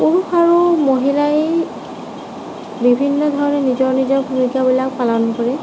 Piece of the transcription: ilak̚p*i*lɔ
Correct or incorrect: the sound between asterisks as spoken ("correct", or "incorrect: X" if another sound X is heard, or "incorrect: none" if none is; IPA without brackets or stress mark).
incorrect: a